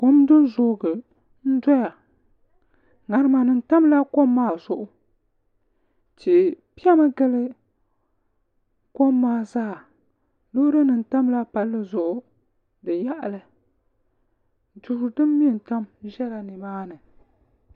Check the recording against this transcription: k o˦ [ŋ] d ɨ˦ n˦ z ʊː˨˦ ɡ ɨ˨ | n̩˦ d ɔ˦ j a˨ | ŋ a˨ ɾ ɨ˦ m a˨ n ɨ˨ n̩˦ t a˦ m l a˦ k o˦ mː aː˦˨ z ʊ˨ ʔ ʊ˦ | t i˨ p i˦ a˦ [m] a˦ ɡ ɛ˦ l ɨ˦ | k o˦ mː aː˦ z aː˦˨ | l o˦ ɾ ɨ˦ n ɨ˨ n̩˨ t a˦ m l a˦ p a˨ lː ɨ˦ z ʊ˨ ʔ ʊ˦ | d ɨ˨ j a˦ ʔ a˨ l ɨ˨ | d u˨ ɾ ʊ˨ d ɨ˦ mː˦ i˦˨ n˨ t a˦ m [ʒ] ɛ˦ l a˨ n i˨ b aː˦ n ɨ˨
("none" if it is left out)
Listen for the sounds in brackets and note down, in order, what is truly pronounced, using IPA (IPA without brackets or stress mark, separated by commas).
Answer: m, m, ʒ